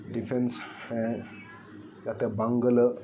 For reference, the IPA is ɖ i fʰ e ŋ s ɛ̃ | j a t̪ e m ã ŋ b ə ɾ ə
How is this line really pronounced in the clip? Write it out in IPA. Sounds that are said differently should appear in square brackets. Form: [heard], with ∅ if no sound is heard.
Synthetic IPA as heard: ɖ i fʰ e [n] s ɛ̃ | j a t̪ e [b] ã ŋ [ɡ] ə [l] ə